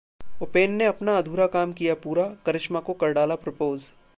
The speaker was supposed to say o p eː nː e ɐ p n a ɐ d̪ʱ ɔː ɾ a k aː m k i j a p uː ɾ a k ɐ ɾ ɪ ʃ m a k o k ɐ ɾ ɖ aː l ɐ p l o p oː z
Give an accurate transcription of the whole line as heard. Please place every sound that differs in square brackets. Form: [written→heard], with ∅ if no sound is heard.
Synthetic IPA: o p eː nː e ɐ p n a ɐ d̪ʱ [ɔː→uː] ɾ a k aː m k i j a p uː ɾ a k ɐ ɾ ɪ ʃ m a k o k ɐ ɾ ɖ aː l [ɐ→a] p [l→ɾ] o p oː z